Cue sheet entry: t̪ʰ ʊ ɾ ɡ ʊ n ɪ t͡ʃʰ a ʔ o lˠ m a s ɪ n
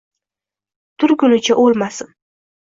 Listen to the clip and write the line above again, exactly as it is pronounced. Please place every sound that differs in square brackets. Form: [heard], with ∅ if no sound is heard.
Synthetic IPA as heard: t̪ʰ ʊ ɾ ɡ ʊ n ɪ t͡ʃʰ a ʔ o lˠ m a s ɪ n